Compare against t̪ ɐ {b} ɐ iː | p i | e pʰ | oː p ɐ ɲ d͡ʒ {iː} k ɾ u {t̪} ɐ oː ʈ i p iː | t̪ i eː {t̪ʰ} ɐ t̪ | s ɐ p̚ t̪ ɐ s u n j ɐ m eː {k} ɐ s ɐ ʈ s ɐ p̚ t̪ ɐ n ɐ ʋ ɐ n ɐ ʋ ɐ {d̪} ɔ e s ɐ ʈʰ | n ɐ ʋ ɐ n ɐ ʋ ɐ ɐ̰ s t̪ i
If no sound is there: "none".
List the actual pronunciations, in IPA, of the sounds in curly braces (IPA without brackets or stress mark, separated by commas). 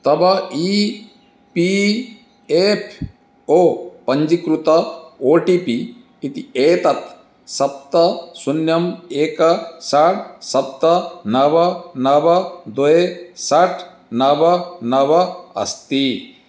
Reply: b, i, t̪, t̪, k, d̪